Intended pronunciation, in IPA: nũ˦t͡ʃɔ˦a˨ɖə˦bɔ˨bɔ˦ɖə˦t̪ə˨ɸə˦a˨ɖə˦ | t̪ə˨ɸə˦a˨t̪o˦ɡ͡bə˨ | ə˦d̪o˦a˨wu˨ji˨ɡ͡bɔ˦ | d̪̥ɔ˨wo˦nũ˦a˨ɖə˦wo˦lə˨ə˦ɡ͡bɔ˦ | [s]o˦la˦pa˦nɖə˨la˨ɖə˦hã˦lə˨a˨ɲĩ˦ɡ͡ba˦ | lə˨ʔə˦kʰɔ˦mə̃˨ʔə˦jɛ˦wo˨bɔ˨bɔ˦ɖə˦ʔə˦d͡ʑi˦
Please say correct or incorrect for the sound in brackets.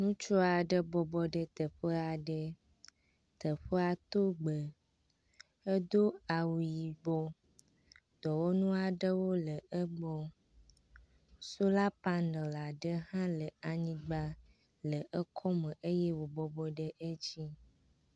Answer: correct